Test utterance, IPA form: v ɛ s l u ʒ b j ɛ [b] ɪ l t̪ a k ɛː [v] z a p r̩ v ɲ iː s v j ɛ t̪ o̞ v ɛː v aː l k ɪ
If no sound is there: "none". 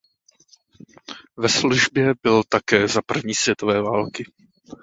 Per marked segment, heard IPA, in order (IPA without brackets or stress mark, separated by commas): b, none